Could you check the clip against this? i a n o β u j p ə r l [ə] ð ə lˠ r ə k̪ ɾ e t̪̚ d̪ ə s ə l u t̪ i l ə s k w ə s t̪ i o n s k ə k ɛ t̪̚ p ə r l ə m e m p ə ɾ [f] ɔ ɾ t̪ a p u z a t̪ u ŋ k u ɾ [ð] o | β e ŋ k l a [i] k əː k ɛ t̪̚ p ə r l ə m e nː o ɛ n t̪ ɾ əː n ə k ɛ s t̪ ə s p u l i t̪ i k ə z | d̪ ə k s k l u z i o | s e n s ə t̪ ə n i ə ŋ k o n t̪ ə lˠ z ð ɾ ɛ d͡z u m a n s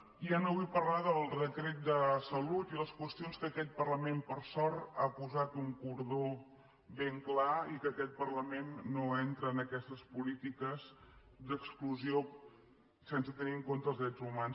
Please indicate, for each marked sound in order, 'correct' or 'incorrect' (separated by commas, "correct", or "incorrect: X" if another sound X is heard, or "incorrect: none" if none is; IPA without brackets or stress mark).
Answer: incorrect: a, incorrect: s, correct, correct